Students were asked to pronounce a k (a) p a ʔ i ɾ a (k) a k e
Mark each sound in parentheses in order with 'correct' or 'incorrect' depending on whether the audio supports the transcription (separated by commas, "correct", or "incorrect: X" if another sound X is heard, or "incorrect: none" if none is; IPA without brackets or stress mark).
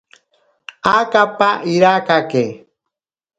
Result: correct, correct